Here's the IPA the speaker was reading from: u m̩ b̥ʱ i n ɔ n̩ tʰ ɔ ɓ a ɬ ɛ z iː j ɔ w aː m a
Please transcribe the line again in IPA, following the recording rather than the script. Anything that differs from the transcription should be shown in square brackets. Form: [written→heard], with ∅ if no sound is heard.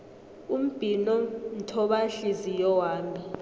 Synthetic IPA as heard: u m̩ b̥ʱ i n ɔ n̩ tʰ ɔ ɓ a ɬ [ɛ→i] z [iː→i] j ɔ w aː m [a→i]